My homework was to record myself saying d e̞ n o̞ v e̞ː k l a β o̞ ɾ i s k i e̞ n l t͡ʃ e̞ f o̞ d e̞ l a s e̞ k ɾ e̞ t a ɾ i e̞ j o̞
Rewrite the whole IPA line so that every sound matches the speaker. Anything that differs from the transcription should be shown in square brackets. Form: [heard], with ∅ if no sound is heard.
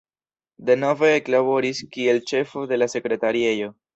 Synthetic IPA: d e̞ n o̞ v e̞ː k l a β o̞ ɾ i s k i e̞ [∅] l t͡ʃ e̞ f o̞ d e̞ l a s e̞ k ɾ e̞ t a ɾ i e̞ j o̞